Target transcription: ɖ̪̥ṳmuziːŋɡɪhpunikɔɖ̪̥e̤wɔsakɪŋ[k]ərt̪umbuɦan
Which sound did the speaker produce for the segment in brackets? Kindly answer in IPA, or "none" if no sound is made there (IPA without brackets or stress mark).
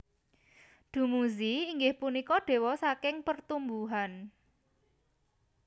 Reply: p